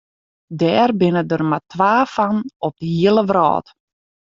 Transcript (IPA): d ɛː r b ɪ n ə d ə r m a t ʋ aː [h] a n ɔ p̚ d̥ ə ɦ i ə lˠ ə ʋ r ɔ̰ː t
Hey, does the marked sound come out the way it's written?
no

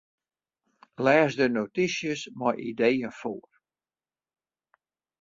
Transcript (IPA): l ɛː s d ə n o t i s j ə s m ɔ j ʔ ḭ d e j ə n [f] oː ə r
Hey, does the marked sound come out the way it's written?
yes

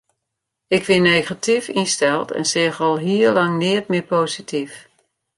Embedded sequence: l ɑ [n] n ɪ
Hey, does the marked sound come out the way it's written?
no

